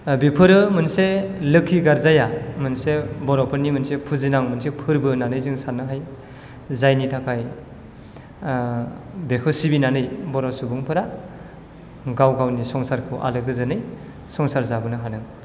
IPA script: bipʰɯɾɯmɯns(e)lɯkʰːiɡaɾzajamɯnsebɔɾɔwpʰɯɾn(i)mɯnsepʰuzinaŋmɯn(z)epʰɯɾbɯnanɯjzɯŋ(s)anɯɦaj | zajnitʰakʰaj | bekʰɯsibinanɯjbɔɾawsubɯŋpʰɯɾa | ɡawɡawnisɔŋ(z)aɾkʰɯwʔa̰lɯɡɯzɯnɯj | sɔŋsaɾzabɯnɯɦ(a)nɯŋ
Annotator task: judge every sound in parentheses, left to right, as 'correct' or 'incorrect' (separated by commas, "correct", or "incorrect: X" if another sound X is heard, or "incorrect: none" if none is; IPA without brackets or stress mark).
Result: correct, correct, incorrect: s, correct, incorrect: s, correct